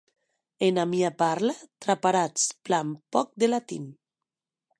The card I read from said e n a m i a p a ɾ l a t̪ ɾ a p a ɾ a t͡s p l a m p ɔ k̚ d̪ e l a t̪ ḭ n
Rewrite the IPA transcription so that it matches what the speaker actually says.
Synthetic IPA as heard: e n a m i a p a ɾ l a t̪ ɾ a p a ɾ a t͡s p l a m p ɔ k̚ d̪ e l a t̪ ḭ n